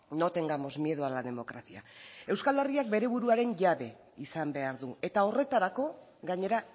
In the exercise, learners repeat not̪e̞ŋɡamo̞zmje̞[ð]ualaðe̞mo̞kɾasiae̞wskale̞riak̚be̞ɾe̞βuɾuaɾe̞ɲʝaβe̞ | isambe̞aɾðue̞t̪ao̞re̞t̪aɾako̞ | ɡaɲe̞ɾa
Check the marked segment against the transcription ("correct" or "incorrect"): correct